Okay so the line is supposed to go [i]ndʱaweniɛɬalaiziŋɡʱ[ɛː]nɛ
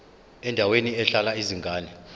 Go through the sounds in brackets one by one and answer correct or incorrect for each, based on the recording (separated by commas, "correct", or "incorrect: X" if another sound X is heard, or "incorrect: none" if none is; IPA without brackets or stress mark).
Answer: incorrect: ɛ, incorrect: aː